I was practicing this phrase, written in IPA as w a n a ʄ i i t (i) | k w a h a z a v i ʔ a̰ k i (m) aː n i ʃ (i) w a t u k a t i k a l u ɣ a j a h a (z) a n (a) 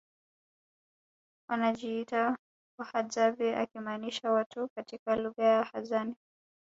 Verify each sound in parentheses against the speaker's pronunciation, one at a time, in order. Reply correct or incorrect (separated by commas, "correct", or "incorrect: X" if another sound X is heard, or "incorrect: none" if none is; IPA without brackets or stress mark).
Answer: incorrect: a, correct, incorrect: a, correct, incorrect: i